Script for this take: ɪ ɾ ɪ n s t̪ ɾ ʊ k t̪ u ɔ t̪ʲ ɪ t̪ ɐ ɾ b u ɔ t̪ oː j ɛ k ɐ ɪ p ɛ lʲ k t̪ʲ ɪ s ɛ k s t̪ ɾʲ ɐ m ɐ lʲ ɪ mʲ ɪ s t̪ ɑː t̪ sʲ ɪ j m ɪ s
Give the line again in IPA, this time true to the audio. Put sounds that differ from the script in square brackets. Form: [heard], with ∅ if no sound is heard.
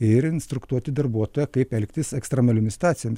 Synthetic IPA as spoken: ɪ ɾ ɪ n s t̪ ɾ ʊ k t̪ u ɔ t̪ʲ ɪ [d̪] ɐ ɾ b u ɔ t̪ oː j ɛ k ɐ ɪ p ɛ lʲ k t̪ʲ ɪ s ɛ k s t̪ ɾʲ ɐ m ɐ lʲ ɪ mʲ ɪ s t̪ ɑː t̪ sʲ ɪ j m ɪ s